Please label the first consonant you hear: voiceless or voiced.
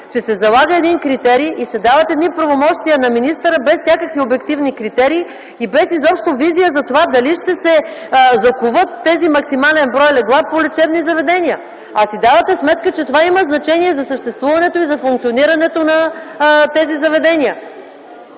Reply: voiceless